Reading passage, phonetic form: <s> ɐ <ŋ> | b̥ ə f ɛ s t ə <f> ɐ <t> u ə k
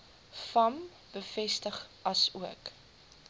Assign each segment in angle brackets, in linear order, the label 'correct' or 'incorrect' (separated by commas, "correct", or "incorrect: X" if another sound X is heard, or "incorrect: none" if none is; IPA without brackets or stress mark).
incorrect: f, incorrect: m, incorrect: χ, incorrect: s